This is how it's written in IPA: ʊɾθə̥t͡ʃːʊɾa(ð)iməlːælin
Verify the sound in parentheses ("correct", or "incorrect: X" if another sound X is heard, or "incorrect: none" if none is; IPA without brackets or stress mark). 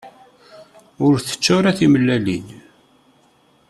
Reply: incorrect: θ